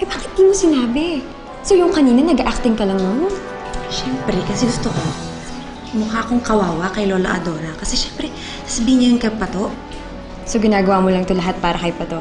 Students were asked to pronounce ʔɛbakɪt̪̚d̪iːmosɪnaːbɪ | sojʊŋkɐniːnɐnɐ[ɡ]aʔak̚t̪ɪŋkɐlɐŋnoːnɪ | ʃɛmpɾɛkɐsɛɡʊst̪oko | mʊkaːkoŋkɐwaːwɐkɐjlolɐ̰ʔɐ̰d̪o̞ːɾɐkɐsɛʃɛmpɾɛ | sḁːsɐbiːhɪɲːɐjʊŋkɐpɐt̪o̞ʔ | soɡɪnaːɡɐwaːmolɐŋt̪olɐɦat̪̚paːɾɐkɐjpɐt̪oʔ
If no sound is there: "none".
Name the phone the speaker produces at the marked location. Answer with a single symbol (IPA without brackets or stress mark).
ɡ